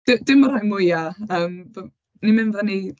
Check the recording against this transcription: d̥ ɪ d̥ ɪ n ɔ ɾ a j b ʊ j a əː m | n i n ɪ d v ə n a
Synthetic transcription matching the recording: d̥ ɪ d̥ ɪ m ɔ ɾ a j m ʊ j a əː m | n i m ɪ n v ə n i